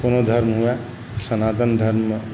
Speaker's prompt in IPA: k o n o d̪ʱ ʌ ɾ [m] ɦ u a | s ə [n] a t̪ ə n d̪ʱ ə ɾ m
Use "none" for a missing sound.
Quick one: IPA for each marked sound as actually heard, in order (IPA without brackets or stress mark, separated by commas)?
m, n